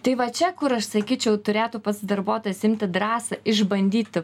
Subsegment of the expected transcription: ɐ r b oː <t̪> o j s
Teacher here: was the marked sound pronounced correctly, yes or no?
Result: yes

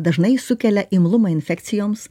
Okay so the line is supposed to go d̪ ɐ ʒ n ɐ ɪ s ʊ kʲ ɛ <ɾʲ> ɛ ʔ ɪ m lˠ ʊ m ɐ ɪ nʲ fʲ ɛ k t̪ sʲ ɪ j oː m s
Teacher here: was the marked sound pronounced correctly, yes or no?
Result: no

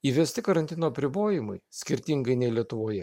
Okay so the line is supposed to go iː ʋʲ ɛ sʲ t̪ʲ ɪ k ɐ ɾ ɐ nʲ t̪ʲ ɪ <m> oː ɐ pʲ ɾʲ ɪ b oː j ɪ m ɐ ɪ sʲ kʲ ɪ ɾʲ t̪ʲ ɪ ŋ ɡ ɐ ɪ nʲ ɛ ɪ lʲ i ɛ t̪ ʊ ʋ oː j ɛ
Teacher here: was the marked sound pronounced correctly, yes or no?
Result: no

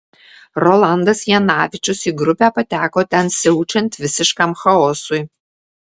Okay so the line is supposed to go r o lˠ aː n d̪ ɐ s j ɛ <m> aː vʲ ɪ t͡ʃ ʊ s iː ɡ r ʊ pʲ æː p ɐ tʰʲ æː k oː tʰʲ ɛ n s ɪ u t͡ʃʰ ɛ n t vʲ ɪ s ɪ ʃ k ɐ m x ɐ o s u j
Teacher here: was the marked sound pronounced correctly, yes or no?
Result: no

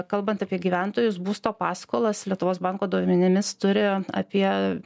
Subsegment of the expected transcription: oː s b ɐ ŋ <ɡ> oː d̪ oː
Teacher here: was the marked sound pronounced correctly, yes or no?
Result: no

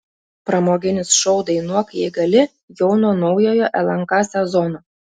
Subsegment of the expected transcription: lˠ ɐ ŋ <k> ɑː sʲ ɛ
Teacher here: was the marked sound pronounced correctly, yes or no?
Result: yes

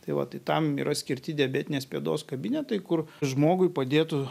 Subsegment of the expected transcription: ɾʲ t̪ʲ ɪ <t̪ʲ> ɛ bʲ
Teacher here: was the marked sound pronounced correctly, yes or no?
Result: no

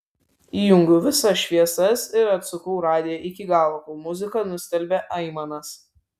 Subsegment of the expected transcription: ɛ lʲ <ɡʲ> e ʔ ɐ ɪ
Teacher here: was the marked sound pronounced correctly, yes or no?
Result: no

